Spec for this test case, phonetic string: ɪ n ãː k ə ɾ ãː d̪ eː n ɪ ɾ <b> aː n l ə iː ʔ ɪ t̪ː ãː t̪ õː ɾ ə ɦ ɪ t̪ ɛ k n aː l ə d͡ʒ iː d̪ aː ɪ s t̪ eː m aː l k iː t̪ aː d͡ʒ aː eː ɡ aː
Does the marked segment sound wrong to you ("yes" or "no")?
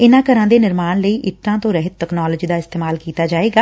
yes